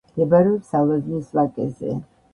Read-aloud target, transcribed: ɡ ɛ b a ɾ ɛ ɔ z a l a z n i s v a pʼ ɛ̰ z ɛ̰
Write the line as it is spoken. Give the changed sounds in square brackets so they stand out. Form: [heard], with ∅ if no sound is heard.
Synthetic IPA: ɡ ɛ b a ɾ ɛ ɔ [s] a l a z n i s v a [kʼ] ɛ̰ z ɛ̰